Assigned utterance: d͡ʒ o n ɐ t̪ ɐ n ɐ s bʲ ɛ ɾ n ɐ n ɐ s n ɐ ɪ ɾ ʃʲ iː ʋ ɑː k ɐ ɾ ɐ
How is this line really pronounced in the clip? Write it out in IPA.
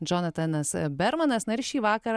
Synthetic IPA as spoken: d͡ʒ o n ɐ t̪ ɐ n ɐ s bʲ ɛ ɾ m ɐ n ɐ s n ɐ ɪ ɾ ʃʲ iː ʋ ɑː k ɐ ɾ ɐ

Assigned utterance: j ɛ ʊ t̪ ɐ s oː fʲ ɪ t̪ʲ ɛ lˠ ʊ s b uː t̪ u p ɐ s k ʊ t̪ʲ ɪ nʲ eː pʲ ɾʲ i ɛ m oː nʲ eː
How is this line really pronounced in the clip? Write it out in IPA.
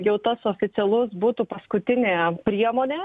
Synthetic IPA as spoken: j ɛ ʊ t̪ ɐ s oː fʲ ɪ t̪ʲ ɛ lˠ ʊ s b uː t̪ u p ɐ s k ʊ t̪ʲ ɪ nʲ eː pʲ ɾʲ i ɛ m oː nʲ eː

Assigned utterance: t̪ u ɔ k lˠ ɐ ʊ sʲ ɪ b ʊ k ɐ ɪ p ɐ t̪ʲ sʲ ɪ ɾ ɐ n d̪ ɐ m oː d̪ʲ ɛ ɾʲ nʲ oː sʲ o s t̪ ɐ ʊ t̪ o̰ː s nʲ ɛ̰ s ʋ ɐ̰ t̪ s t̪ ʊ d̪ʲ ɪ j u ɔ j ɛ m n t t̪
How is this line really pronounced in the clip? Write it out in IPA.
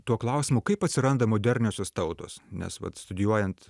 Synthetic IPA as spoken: t̪ u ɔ k lˠ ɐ ʊ sʲ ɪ m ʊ k ɐ ɪ p ɐ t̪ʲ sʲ ɪ ɾ ɐ n d̪ ɐ m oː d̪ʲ ɛ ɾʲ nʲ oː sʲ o s t̪ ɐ ʊ t̪ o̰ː s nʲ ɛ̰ s ʋ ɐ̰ t̪ s t̪ ʊ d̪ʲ ɪ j u ɔ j ɛ n t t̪

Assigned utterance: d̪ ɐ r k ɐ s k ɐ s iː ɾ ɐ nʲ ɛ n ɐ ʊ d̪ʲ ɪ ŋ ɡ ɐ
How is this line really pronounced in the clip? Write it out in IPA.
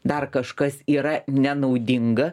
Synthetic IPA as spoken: d̪ ɐ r k ɐ ʃ k ɐ s iː ɾ ɐ nʲ ɛ n ɐ ʊ d̪ʲ ɪ ŋ ɡ ɐ

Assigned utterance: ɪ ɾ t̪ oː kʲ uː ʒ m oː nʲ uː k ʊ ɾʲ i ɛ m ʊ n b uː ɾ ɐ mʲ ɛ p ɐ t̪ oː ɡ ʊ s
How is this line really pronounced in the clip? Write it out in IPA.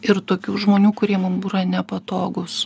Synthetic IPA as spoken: ɪ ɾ t̪ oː kʲ uː ʒ m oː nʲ uː k ʊ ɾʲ i ɛ m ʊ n b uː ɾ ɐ nʲ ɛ p ɐ t̪ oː ɡ ʊ s

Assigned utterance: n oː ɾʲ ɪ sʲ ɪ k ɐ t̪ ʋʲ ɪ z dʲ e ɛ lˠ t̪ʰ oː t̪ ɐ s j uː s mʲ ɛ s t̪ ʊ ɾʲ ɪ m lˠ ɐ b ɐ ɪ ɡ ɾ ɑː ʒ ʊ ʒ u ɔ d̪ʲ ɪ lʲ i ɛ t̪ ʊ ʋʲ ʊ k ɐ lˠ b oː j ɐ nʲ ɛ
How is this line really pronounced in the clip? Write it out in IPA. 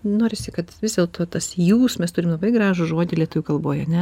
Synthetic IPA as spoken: n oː ɾʲ ɪ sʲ ɪ k ɐ t̪ ʋʲ ɪ z dʲ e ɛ lˠ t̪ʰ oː t̪ ɐ s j uː s mʲ ɛ s t̪ ʊ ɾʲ ɪ m lˠ ɐ b ɐ ɪ ɡ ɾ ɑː ʒ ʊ ʒ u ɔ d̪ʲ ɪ lʲ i ɛ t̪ ʊ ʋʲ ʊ k ɐ lˠ b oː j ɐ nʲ ɛ

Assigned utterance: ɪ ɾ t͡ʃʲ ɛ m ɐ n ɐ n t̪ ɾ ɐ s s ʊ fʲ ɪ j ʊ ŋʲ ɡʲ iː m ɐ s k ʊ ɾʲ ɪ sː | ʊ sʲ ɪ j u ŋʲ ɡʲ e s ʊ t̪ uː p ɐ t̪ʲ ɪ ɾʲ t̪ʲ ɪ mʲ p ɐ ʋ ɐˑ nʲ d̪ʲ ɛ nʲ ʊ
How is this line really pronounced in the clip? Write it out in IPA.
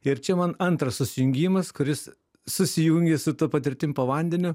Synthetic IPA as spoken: ɪ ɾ t͡ʃʲ ɛ m ɐ n ɐ n t̪ ɾ ɐ s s ʊ sʲ ɪ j ʊ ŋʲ ɡʲ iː m ɐ s k ʊ ɾʲ ɪ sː | ʊ sʲ ɪ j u ŋʲ ɡʲ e s ʊ t̪ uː p ɐ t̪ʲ ɪ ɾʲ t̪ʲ ɪ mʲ p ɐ ʋ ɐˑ nʲ d̪ʲ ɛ nʲ ʊ

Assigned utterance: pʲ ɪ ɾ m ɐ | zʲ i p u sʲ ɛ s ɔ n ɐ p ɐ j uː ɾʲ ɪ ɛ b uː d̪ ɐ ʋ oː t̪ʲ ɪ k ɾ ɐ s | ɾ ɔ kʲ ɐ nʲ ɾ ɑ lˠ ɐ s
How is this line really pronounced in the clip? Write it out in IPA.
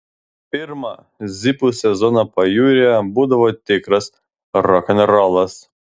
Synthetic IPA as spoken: pʲ ɪ ɾ m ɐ | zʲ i p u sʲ ɛ z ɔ n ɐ p ɐ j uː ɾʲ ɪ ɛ b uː d̪ ɐ ʋ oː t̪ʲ ɪ k ɾ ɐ s | ɾ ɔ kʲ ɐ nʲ ɾ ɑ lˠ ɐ s

